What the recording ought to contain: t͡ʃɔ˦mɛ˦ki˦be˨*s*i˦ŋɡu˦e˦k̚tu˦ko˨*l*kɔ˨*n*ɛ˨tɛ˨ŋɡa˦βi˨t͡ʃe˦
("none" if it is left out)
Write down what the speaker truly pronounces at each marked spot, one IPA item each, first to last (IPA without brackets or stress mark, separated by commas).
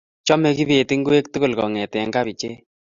t, l, ŋ